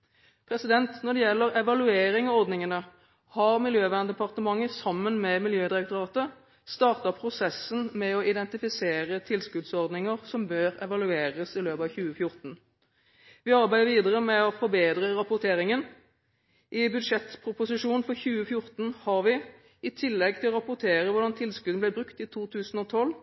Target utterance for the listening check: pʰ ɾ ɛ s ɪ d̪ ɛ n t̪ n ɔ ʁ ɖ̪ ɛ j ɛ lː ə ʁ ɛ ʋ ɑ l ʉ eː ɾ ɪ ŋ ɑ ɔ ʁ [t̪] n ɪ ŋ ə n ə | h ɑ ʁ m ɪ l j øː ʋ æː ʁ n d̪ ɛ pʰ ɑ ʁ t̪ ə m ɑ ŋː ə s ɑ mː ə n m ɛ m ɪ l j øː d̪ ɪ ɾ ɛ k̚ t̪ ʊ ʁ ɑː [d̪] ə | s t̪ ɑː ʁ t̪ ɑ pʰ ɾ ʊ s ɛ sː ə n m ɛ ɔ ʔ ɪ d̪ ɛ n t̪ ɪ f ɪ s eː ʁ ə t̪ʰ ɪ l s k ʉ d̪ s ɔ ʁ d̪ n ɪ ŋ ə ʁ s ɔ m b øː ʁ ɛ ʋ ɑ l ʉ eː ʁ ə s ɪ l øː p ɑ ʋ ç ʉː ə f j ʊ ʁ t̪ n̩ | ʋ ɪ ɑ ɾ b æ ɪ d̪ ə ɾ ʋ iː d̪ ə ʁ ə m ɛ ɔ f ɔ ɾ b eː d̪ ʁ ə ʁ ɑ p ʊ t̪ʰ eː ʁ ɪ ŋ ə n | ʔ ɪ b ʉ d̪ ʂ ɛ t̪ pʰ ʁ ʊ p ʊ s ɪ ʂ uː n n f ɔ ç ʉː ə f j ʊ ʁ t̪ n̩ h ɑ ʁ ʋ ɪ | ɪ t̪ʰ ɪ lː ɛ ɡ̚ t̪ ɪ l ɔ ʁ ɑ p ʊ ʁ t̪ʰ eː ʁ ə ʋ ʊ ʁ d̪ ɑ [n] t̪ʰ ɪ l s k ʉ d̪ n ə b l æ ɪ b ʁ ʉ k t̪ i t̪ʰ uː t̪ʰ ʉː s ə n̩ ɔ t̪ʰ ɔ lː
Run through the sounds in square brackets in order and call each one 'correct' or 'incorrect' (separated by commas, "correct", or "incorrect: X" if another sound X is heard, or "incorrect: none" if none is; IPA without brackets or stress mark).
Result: incorrect: d̪, incorrect: t̪, correct